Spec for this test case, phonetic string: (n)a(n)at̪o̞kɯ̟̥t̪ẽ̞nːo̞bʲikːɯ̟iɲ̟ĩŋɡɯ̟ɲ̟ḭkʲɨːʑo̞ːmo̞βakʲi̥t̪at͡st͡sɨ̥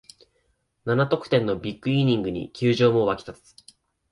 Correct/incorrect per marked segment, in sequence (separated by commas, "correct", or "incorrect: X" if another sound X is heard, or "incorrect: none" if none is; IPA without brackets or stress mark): correct, correct